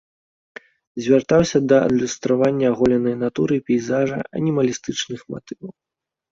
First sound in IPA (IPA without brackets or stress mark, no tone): zʲ